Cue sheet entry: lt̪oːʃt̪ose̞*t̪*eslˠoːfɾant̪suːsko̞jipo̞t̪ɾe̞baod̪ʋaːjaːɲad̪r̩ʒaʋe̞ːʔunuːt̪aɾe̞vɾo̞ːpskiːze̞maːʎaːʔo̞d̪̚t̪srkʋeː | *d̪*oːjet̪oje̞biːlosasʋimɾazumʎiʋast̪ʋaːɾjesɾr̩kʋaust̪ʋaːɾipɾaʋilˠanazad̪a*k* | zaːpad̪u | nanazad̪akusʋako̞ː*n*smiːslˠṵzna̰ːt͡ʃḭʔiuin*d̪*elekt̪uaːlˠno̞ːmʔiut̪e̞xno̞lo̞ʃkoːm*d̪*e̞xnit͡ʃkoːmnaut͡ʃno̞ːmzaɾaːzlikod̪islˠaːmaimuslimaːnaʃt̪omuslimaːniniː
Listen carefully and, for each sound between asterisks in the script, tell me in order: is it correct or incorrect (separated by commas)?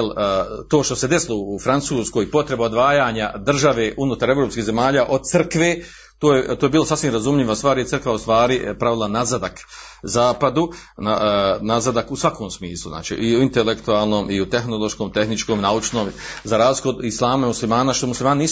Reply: incorrect, incorrect, correct, incorrect, incorrect, incorrect